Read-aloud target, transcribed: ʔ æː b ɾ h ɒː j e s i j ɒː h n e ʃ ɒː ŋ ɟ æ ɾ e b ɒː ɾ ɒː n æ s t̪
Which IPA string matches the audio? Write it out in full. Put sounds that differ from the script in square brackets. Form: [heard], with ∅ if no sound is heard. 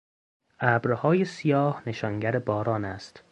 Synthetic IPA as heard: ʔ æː b ɾ h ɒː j e s i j ɒː h n e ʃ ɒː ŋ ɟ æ ɾ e b ɒː ɾ ɒː n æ s t̪